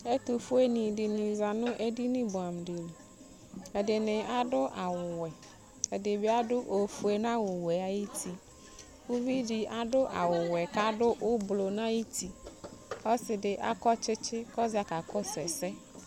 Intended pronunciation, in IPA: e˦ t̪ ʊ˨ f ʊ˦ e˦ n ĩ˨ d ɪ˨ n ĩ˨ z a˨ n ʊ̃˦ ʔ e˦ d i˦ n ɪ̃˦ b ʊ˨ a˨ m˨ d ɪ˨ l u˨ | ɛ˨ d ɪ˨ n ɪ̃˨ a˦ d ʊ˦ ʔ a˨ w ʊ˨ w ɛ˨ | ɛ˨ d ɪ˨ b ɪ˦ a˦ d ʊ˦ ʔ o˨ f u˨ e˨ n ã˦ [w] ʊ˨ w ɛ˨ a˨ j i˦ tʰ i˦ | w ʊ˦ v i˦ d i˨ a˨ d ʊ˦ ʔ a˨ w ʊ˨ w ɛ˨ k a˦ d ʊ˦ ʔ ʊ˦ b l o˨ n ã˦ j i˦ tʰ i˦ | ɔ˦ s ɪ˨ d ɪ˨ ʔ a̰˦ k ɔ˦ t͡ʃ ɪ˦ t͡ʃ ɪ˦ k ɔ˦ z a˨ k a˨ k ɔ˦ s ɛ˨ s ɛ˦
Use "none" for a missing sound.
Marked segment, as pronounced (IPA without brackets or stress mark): w